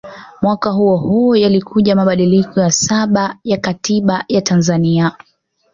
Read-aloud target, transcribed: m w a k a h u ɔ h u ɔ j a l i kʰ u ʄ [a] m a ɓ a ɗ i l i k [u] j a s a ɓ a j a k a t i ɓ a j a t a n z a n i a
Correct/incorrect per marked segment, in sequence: correct, incorrect: ɔ

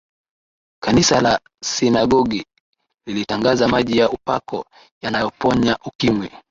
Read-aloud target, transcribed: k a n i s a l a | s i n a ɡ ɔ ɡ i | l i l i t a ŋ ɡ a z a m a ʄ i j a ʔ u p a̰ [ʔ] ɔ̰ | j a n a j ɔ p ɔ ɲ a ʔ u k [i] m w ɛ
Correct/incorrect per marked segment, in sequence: incorrect: k, correct

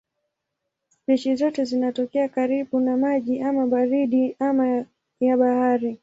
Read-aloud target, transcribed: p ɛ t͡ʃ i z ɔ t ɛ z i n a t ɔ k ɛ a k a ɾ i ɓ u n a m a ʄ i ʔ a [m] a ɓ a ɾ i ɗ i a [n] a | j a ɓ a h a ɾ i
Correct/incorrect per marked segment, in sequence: correct, incorrect: m

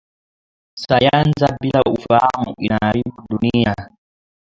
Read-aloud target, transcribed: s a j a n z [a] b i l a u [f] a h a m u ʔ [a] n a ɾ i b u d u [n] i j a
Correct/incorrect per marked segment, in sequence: correct, correct, incorrect: i, correct

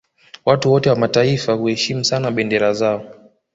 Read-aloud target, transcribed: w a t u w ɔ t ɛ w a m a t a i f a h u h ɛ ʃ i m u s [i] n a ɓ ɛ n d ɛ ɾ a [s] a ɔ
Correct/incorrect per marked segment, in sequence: incorrect: a, incorrect: z

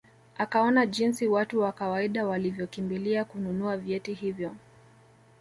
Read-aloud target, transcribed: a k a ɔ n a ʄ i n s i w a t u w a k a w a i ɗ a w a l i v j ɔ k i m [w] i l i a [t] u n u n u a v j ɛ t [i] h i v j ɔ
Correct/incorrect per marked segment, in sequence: incorrect: b, incorrect: k, correct

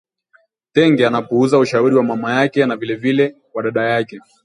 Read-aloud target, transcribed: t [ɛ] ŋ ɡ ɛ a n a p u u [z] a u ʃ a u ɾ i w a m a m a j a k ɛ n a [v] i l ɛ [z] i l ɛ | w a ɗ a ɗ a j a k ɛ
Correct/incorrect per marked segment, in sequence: correct, correct, correct, incorrect: v

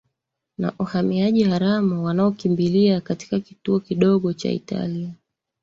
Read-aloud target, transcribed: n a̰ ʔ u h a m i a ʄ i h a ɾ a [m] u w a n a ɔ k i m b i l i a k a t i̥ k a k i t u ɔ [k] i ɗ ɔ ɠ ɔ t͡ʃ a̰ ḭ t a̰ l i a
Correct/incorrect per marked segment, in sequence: correct, correct

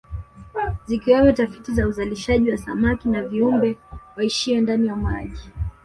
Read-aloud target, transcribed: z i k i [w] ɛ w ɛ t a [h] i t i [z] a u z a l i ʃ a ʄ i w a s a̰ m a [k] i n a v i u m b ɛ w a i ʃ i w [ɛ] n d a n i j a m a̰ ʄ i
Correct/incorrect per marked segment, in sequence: correct, incorrect: f, correct, correct, correct

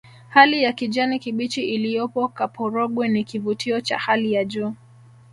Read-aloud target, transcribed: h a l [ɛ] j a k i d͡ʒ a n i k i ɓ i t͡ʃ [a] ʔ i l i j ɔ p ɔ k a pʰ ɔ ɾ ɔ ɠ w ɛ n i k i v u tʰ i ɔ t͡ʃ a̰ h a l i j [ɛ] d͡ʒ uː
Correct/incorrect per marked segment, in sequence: incorrect: i, incorrect: i, incorrect: a

